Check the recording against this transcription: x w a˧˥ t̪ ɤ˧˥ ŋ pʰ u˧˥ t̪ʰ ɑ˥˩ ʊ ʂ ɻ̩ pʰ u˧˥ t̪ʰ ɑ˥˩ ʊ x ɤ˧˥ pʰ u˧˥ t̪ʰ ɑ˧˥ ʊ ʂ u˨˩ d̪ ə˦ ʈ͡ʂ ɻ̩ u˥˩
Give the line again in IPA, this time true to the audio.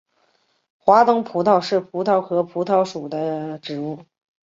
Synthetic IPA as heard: x w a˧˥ t̪ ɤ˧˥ ŋ pʰ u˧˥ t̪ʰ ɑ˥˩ ʊ ʂ ɻ̩ pʰ u˧˥ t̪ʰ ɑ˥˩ ʊ x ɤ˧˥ pʰ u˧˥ t̪ʰ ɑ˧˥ ʊ ʂ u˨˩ d̪ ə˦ ʈ͡ʂ ɻ̩ u˥˩